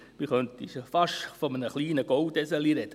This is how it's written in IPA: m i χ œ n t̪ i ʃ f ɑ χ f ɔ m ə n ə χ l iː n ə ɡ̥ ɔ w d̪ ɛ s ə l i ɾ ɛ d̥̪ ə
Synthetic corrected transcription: m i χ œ n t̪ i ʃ f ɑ ʃ f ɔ m ə n ə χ l iː n ə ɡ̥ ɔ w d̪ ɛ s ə l i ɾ ɛ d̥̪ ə